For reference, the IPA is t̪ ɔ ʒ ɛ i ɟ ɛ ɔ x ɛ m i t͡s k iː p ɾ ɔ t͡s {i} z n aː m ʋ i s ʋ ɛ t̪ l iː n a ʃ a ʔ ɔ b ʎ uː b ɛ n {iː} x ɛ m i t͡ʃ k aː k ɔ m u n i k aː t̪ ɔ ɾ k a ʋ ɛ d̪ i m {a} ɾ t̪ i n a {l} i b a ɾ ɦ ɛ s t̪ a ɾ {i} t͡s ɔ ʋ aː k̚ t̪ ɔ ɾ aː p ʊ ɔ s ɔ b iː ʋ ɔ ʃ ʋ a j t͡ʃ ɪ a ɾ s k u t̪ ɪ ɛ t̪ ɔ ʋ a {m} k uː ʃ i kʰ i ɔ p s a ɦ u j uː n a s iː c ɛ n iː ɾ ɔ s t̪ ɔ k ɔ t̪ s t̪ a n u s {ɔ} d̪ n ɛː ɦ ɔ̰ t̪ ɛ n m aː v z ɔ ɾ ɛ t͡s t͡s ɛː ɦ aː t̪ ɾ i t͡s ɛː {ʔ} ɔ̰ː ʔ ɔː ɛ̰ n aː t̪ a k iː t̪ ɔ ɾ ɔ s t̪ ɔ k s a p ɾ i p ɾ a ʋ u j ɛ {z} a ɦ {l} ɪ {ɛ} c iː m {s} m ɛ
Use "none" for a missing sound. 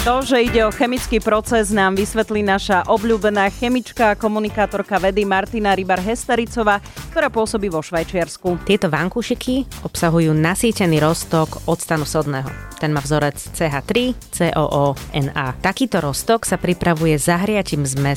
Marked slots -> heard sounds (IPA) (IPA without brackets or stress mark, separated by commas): ɛ, aː, a, ɾ, i, ŋ, ɔ, ʔ, z, ɾ, a, z